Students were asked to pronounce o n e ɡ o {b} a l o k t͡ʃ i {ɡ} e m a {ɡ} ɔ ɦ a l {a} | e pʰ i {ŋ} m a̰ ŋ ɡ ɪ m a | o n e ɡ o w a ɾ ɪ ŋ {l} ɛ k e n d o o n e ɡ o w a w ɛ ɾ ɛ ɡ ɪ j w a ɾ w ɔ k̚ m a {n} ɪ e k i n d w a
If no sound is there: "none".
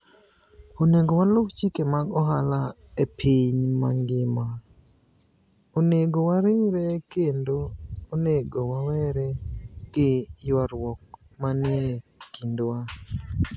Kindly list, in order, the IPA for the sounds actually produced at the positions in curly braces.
w, k, ɡ, a, ɲ, ɾ, n

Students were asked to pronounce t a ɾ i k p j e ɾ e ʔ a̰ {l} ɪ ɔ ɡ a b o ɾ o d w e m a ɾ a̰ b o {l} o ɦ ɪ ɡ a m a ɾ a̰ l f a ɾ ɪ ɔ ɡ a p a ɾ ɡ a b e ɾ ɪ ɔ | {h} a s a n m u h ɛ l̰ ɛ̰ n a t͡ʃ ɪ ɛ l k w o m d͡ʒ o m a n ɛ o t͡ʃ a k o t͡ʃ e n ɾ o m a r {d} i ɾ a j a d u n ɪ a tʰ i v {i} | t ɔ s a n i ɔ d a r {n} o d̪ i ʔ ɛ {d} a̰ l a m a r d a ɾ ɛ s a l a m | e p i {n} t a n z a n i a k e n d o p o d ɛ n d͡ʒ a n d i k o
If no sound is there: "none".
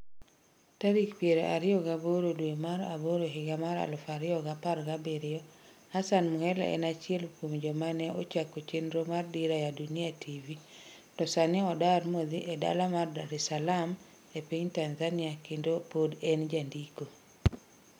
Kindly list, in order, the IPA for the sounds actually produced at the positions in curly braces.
ɾ, ɾ, h, d, i, m, d, ɲ

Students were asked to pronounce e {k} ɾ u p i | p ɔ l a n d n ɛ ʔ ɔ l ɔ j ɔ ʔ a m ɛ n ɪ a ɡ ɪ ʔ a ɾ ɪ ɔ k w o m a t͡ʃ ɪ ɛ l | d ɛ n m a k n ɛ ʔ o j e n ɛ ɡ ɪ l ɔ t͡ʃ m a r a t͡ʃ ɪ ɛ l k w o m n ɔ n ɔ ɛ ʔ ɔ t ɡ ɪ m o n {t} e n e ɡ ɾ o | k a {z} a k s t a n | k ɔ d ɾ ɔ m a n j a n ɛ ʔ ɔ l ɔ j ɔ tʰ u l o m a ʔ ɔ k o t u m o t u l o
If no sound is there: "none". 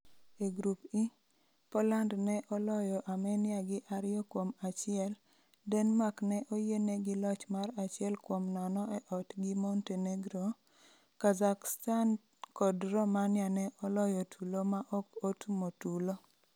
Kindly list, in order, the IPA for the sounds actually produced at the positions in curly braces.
ɡ, t, z

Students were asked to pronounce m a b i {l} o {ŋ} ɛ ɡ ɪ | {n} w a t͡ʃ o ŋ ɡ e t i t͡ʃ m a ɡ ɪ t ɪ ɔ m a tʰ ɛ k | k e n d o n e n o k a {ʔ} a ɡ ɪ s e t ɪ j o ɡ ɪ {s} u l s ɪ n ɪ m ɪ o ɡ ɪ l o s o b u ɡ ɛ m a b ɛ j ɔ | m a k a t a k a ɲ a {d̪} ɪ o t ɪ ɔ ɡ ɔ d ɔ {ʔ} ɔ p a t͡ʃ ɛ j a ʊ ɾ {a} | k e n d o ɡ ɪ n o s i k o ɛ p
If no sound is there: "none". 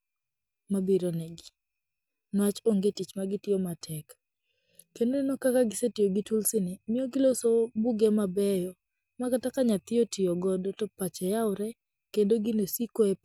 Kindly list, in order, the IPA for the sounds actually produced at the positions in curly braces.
ɾ, n, n, k, t, t̪, t, ɛ

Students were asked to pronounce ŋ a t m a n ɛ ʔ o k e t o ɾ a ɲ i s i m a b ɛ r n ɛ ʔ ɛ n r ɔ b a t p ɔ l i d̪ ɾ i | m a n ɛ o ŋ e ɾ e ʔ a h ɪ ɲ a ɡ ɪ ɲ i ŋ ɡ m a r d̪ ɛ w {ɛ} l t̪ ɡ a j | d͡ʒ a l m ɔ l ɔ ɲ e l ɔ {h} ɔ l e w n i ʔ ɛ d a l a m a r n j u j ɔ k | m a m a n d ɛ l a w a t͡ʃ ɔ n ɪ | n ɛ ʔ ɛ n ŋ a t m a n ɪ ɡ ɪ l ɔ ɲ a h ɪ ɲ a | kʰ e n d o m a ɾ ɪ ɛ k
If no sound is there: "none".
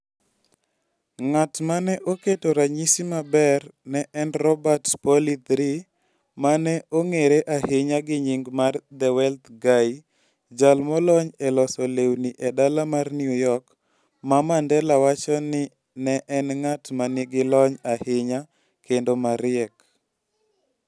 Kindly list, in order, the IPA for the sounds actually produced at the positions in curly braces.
ɛ, s

